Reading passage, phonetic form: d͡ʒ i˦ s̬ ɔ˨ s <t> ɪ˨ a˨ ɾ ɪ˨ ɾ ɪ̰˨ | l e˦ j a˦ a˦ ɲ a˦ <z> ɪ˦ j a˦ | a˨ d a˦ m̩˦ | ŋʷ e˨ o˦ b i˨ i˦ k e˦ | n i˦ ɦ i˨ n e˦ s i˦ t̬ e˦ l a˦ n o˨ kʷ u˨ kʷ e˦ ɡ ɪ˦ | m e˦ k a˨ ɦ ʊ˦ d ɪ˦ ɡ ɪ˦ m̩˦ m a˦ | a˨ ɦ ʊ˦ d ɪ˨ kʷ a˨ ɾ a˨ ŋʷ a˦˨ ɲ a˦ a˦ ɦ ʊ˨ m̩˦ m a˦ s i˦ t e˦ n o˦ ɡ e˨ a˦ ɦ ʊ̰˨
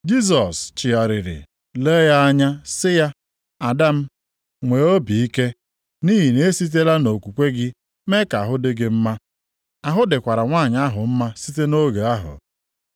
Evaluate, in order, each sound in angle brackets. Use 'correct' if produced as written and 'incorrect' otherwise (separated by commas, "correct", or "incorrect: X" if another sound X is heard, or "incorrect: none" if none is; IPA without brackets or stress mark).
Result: incorrect: t͡ʃ, incorrect: s